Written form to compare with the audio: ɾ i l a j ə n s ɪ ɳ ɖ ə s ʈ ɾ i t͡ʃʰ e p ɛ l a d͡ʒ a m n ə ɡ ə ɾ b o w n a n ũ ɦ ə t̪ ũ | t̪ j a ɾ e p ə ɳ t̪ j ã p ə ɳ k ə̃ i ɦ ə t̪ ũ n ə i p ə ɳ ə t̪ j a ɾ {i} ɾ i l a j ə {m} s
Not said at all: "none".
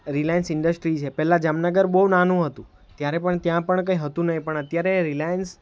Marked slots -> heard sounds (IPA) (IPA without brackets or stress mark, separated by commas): e, n